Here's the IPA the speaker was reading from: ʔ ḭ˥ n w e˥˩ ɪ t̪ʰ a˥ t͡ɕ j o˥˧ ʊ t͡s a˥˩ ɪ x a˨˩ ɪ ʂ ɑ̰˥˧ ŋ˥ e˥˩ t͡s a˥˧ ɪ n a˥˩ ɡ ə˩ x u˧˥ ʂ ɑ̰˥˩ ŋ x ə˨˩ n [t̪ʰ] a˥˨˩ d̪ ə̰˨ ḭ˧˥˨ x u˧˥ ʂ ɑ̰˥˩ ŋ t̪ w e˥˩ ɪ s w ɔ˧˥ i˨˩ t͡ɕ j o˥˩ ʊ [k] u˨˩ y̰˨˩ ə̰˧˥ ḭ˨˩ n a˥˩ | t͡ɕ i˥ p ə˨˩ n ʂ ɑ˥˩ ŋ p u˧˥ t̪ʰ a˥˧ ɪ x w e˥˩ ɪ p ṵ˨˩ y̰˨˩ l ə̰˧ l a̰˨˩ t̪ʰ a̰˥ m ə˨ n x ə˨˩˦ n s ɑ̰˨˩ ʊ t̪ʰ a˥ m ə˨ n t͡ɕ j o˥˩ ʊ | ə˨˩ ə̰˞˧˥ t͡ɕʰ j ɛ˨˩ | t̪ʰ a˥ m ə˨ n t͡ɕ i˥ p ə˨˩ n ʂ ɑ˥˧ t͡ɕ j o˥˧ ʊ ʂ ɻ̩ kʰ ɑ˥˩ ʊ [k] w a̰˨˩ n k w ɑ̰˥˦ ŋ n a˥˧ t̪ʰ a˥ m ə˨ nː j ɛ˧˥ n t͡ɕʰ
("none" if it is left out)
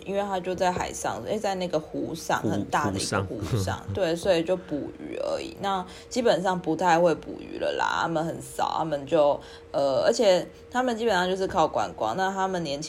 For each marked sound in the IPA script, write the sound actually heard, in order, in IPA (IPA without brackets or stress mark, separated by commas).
t̪, p, k